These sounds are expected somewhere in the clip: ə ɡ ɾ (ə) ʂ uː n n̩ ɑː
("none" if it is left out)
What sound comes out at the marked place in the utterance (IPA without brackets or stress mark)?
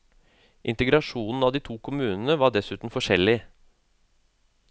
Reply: ɑ